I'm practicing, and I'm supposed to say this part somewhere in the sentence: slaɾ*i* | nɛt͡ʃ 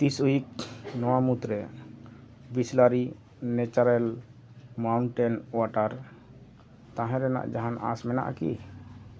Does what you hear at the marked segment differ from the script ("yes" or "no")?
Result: no